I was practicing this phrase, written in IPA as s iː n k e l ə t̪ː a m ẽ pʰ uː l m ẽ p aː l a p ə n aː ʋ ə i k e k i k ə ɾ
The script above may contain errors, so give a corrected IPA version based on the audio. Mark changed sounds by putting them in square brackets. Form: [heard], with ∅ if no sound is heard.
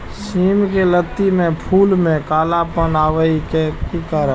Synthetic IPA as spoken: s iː [m] k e l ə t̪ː [i] m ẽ pʰ uː l m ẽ [k] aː l a p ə n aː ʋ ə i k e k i k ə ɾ